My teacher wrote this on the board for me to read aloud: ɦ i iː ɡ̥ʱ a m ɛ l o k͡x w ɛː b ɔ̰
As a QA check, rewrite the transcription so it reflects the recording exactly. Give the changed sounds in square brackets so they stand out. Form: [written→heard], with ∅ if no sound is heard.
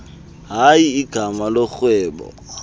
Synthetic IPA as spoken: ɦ [i→a] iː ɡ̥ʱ a m [ɛ→a] l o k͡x w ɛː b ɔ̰